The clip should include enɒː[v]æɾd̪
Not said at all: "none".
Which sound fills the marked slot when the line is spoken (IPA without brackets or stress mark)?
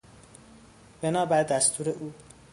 b